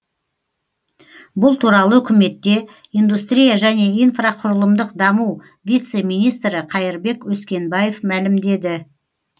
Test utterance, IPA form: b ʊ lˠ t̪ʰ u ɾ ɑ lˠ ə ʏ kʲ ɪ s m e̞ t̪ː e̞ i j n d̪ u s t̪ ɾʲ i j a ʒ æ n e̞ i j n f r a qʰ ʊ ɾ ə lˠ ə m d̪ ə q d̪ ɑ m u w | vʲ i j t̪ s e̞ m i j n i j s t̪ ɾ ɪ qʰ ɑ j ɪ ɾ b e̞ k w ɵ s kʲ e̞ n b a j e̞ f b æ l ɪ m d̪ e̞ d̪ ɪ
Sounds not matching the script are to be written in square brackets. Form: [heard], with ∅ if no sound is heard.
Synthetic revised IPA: b ʊ lˠ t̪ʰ u ɾ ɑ lˠ ə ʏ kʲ ɪ [∅] m e̞ t̪ː e̞ i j n d̪ u s t̪ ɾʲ i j a ʒ æ n e̞ i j n f r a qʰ ʊ ɾ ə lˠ ə m d̪ ə q d̪ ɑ m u w | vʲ i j t̪ s e̞ m i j n i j s t̪ ɾ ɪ qʰ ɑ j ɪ ɾ b e̞ k w ɵ s kʲ e̞ n b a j e̞ f [m] æ l ɪ m d̪ e̞ d̪ ɪ

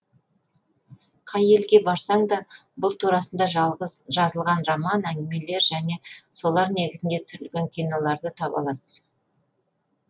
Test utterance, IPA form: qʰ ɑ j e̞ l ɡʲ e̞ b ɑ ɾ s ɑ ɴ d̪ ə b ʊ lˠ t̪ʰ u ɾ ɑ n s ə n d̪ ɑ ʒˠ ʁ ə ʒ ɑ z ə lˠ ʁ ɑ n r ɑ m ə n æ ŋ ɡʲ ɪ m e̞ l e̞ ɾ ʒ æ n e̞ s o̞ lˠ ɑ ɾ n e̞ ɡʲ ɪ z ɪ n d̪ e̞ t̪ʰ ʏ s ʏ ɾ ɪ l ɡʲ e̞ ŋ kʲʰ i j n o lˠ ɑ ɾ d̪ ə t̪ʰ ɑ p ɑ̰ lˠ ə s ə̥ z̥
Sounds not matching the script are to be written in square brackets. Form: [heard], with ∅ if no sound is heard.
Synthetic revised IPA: qʰ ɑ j e̞ l ɡʲ e̞ b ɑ ɾ s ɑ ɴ d̪ [ɑ] b ʊ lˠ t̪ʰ u ɾ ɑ [∅] s ə n d̪ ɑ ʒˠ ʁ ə ʒ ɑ z ə lˠ ʁ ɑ n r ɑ m [ɑ] n æ ŋ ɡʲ ɪ m e̞ l e̞ ɾ ʒ æ n e̞ s o̞ lˠ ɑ ɾ n e̞ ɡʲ ɪ z ɪ n d̪ e̞ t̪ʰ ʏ s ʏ ɾ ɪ l ɡʲ e̞ ŋ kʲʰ i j n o lˠ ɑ ɾ d̪ ə t̪ʰ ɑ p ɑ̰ lˠ [ɑ] s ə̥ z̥

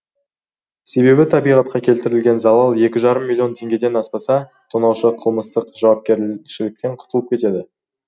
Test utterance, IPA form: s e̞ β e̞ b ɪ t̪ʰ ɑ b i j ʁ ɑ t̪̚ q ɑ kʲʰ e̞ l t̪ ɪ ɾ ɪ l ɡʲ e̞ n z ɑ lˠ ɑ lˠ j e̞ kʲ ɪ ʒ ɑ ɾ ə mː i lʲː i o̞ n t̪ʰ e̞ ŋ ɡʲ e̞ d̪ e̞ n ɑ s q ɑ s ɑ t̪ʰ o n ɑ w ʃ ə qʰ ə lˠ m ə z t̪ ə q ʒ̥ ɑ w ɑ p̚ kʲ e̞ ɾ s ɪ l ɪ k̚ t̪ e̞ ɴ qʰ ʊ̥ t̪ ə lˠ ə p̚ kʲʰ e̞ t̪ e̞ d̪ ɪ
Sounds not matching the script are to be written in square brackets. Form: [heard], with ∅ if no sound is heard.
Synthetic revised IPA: s e̞ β e̞ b ɪ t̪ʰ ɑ b i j ʁ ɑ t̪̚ q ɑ kʲʰ e̞ l t̪ ɪ ɾ ɪ l ɡʲ e̞ n z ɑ lˠ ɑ lˠ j e̞ kʲ ɪ ʒ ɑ ɾ ə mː i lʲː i o̞ n t̪ʰ e̞ ŋ ɡʲ e̞ d̪ e̞ n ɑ s [p] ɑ s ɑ t̪ʰ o n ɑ w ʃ ə qʰ ə lˠ m ə [s] t̪ ə q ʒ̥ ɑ w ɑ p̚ kʲ e̞ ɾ [ʃ] ɪ l ɪ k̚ t̪ e̞ ɴ qʰ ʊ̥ t̪ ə lˠ ə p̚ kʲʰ e̞ t̪ e̞ d̪ ɪ

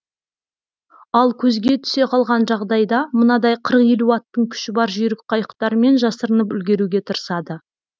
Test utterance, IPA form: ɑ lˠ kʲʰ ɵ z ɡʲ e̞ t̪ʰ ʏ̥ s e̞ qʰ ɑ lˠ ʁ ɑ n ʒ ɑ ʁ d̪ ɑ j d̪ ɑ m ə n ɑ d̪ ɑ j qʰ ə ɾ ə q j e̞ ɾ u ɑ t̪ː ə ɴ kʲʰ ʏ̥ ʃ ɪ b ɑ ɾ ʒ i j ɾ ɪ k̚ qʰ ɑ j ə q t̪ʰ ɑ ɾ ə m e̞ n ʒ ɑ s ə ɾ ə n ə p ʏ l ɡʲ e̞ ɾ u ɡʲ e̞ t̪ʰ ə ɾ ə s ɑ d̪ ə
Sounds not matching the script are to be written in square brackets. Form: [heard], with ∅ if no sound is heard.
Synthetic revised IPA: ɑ lˠ kʲʰ ɵ z ɡʲ e̞ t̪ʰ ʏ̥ s e̞ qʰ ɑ lˠ ʁ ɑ n ʒ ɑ ʁ d̪ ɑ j d̪ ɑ m ə n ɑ d̪ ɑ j qʰ ə ɾ ə q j e̞ [l] u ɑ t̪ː ə ɴ kʲʰ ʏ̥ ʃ ɪ b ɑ ɾ ʒ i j ɾ ɪ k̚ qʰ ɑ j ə q [t̪] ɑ ɾ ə m e̞ n ʒ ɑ s ə ɾ ə n ə p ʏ l ɡʲ e̞ ɾ u ɡʲ e̞ t̪ʰ ə ɾ ə s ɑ d̪ ə

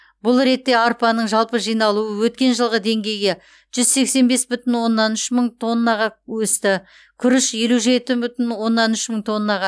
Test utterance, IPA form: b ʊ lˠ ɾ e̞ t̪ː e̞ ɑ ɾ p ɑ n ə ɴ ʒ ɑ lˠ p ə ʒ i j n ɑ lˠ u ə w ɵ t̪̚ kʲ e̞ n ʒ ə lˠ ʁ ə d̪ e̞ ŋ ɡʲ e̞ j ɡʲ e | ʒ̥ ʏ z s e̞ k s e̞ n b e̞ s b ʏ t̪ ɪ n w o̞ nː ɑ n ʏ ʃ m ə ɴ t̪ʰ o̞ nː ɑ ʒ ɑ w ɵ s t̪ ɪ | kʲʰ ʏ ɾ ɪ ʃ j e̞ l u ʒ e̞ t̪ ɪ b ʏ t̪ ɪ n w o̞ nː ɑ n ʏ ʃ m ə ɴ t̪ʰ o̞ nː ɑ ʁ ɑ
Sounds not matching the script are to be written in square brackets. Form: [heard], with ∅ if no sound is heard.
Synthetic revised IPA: b ʊ lˠ ɾ e̞ t̪ː e̞ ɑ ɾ p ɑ n ə ɴ ʒ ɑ lˠ p ə ʒ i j n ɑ lˠ u ə w ɵ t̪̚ kʲ e̞ n ʒ ə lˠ ʁ ə d̪ e̞ ŋ ɡʲ e̞ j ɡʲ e | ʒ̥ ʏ z s e̞ k s e̞ n b e̞ s b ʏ t̪ ɪ n w o̞ nː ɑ n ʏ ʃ m ə ɴ t̪ʰ o̞ nː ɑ [ʁ] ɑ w ɵ s t̪ ɪ | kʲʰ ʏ ɾ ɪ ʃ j e̞ l u ʒ e̞ t̪ ɪ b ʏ t̪ ɪ n w o̞ nː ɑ n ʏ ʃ m ə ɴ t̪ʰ o̞ nː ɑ ʁ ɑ

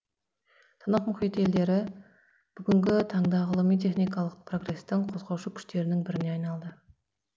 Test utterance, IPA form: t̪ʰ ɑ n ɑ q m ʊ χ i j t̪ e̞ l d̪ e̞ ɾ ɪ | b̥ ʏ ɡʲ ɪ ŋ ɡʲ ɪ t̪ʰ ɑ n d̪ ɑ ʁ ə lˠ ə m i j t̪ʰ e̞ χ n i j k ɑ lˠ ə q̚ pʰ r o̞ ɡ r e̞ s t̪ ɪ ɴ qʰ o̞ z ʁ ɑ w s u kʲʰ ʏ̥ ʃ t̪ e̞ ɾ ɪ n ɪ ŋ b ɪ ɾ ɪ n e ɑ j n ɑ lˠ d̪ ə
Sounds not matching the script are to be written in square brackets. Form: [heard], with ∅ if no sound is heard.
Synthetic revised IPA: t̪ʰ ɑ n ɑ q m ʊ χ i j t̪ e̞ l d̪ e̞ ɾ ɪ | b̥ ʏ ɡʲ ɪ ŋ ɡʲ ɪ t̪ʰ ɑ [ɴ] d̪ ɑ ʁ ə lˠ ə m i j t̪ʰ e̞ χ n i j k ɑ lˠ ə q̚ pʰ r o̞ ɡ r e̞ s t̪ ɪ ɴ qʰ o̞ z ʁ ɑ w [ʃ] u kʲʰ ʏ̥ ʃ t̪ e̞ ɾ ɪ n ɪ ŋ b ɪ ɾ ɪ n e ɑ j n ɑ lˠ d̪ ə

